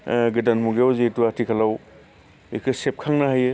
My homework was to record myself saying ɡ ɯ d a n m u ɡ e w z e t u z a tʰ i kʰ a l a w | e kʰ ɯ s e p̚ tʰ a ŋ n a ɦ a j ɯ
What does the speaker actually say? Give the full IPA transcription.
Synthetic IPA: ɡ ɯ d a n m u ɡ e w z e t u a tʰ i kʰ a l a w | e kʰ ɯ s e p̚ kʰ a ŋ n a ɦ a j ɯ

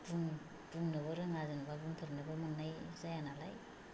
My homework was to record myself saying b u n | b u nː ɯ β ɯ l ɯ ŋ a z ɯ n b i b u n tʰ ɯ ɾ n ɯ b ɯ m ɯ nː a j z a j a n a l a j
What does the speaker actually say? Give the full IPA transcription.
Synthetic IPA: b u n | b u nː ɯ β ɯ ɾ ɯ ŋ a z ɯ n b a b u n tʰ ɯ ɾ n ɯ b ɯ m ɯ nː a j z a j a n a l a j

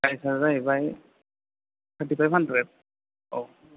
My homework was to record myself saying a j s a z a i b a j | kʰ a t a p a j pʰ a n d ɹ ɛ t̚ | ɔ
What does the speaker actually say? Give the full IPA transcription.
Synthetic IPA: a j s a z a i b a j | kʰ a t i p a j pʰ a n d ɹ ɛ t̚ | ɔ

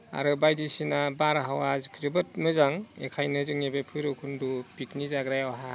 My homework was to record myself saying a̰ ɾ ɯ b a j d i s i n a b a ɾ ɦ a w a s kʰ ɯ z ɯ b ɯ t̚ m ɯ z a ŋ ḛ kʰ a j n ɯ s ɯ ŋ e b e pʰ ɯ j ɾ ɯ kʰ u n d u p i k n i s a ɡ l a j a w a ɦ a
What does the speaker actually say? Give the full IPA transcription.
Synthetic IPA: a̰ ɾ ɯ b a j d i s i n a b a ɾ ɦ a w a z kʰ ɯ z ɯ b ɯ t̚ m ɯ z a ŋ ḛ kʰ a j n ɯ z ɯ ŋ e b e pʰ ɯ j ɾ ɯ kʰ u n d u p i k n i z a ɡ ɾ a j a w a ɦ a

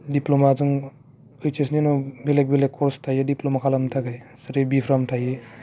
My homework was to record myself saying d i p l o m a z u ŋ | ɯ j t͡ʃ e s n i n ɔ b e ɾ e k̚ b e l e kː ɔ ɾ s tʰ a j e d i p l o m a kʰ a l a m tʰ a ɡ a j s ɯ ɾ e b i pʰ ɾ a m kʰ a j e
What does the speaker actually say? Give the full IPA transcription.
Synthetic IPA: d i p l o m a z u ŋ | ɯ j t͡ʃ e s n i n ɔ b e l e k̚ b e l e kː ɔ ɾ s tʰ a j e d i p l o m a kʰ a l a m tʰ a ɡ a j s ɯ ɾ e b i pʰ ɾ a m tʰ a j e

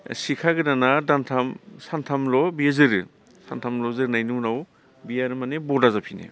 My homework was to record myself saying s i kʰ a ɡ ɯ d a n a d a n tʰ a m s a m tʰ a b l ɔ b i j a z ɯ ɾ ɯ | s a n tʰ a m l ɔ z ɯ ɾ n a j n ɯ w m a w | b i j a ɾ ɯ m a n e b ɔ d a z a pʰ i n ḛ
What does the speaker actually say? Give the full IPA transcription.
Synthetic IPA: s i kʰ a ɡ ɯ d a n a d a n tʰ a m s a n tʰ a m l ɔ b i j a z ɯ ɾ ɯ | s a n tʰ a m l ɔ z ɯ ɾ n a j n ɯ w n a w | b i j a ɾ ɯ m a n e b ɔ d a z a pʰ i n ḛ

